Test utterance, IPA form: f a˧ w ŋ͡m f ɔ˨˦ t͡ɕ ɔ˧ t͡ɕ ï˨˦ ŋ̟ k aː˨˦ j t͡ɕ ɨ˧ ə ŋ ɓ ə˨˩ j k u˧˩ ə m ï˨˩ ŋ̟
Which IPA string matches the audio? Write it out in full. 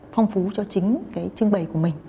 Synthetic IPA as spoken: f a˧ w ŋ͡m f u˨˦ t͡ɕ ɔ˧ t͡ɕ ï˨˦ ŋ̟ k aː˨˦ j t͡ɕ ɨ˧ ə ŋ ɓ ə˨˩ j k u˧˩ ə m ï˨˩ ŋ̟